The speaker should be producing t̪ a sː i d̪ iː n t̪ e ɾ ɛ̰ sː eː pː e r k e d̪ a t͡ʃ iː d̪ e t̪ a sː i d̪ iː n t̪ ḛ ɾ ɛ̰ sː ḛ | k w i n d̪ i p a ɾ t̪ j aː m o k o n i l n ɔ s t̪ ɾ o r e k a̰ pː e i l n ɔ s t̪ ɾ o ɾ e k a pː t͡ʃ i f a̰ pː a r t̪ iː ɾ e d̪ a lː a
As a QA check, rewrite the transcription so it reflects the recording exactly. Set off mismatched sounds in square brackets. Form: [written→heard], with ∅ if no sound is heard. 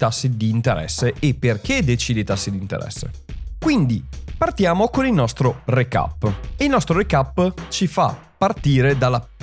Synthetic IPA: t̪ a sː i d̪ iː n t̪ e ɾ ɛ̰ sː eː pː e r k e d̪ [a→e] t͡ʃ iː d̪ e t̪ a sː i d̪ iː n t̪ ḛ ɾ ɛ̰ sː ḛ | k w i n d̪ i p a [ɾ→r] t̪ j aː m o k o n i l n ɔ s t̪ ɾ o r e k a̰ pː e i l n ɔ s t̪ ɾ o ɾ e k a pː t͡ʃ i f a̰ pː a r t̪ iː ɾ e d̪ a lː a